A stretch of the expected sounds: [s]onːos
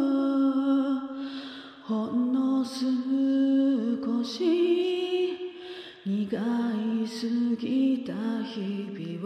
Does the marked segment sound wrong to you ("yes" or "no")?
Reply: yes